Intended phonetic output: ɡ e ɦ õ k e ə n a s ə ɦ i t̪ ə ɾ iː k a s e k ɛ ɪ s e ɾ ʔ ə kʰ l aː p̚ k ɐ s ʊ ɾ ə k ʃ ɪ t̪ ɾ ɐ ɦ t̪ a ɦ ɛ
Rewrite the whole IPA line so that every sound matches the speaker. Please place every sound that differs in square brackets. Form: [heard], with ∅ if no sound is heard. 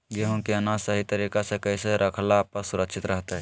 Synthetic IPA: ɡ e ɦ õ k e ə n a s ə ɦ i t̪ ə ɾ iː k a s e k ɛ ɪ s e ɾ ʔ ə kʰ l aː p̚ k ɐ s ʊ ɾ ə k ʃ ɪ t̪ ɾ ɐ ɦ t̪ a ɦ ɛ